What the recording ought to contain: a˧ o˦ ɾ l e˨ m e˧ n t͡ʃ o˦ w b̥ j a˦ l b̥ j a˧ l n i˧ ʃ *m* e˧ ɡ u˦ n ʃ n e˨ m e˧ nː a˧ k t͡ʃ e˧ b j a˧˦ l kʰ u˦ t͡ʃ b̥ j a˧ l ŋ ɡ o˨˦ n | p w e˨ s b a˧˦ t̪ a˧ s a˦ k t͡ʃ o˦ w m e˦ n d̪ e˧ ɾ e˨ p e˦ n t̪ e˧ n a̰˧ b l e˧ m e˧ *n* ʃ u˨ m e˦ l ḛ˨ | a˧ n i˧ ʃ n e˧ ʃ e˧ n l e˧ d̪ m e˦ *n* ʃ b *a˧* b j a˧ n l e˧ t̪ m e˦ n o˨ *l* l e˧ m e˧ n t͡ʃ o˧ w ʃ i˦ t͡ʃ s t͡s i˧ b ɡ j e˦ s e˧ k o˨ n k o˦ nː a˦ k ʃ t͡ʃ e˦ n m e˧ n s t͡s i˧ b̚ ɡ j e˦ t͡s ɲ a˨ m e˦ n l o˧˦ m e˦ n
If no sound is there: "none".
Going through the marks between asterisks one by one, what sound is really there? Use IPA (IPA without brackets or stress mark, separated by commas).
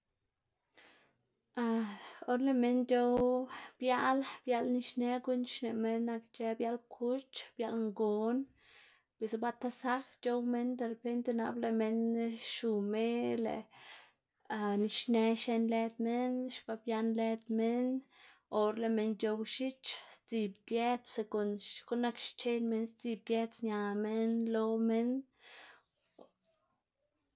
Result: n, n, n, a˧, ɾ